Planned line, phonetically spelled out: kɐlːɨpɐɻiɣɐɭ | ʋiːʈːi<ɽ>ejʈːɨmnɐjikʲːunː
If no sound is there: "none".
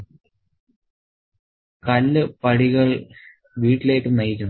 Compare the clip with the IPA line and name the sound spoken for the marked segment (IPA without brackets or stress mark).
l